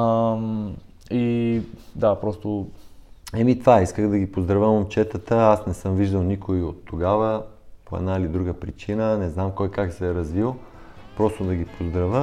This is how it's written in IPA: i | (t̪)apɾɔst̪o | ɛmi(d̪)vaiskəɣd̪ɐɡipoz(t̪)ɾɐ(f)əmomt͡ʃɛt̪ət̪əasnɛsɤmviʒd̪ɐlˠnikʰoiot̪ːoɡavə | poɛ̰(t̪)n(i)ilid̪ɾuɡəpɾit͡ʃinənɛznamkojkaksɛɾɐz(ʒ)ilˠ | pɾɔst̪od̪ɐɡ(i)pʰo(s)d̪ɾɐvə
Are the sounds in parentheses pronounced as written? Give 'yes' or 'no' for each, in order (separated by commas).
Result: no, no, no, no, no, no, no, yes, no